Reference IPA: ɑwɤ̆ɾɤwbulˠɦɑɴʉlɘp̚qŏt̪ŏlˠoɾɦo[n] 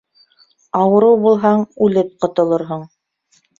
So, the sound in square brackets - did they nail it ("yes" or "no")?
no